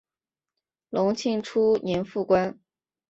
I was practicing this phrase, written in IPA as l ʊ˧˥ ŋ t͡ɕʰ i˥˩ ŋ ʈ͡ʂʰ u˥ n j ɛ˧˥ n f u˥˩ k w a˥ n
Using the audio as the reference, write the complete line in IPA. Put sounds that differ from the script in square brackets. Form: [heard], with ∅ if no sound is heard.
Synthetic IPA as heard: l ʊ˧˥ ŋ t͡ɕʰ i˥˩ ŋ ʈ͡ʂʰ u˥ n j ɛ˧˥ n f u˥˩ k w a˥ n